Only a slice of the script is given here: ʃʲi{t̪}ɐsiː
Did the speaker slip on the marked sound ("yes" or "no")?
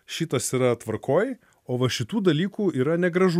no